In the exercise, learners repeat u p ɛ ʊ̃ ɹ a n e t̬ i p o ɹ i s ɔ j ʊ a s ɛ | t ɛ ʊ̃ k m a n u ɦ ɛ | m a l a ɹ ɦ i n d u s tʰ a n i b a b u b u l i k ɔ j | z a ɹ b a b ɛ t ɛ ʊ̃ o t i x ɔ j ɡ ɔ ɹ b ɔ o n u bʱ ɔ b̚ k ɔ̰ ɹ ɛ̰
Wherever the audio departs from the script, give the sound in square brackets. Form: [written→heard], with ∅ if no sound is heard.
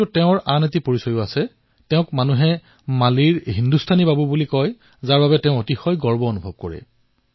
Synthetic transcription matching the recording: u [p→t] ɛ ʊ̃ ɹ a n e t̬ i p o ɹ i s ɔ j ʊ a s ɛ | t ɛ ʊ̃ k m a n u ɦ ɛ | m a l [a→i] ɹ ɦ i n d u s tʰ a n i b a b u b u l i k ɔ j | z a ɹ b a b ɛ t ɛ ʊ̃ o t i x ɔ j ɡ ɔ ɹ b ɔ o n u bʱ ɔ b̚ k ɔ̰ ɹ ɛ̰